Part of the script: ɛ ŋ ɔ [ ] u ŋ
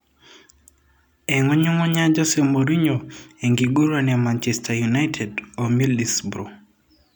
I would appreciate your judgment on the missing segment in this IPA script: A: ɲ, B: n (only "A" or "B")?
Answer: A